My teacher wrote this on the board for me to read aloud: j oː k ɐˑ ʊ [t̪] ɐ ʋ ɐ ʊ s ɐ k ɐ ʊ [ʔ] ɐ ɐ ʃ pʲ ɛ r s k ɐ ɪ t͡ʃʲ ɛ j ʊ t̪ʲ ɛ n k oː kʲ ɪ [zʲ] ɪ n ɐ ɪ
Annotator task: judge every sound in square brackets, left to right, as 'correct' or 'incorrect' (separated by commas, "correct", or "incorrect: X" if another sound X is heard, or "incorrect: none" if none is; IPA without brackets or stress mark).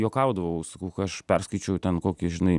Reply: incorrect: d̪, incorrect: k, incorrect: ʒʲ